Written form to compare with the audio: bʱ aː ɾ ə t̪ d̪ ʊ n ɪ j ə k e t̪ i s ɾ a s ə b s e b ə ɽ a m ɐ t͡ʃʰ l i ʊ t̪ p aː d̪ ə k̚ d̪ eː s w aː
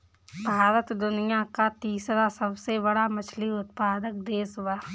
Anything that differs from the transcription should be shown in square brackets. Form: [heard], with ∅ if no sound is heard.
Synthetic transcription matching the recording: bʱ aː ɾ ə t̪ d̪ ʊ n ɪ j [a] k [a] t̪ [iː] s ɾ a s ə b s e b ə ɽ a m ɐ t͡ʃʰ l i ʊ t̪ p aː d̪ ə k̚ d̪ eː s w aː